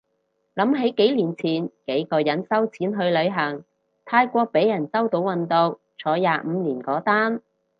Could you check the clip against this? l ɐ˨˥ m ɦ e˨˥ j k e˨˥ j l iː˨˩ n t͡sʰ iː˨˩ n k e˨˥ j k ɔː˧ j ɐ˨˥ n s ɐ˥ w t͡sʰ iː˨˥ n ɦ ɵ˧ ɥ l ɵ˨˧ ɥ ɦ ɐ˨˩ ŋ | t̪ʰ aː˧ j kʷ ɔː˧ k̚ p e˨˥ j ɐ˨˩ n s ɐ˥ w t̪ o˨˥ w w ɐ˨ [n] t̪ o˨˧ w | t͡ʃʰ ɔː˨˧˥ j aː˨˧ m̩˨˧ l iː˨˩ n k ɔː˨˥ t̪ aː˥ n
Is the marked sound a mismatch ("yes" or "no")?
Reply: no